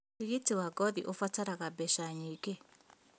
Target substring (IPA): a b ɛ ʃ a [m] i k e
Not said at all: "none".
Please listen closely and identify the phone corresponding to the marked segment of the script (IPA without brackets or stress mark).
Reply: ɲ